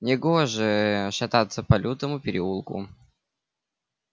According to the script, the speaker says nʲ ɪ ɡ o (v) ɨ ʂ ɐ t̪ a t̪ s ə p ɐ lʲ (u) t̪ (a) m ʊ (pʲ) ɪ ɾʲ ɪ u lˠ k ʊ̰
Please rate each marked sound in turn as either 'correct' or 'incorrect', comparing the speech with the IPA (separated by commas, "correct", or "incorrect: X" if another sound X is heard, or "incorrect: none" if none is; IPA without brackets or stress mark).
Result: incorrect: ʐ, correct, incorrect: ə, correct